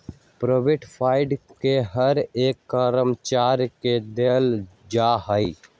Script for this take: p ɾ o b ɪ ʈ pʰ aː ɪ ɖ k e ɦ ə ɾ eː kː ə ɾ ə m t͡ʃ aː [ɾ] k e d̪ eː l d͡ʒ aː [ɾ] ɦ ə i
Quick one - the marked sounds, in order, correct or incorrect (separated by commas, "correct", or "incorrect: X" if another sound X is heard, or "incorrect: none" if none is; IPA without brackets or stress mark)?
correct, incorrect: none